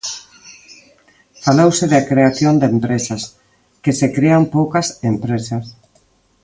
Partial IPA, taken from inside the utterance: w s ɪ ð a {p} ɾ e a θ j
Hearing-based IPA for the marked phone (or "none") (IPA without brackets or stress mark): k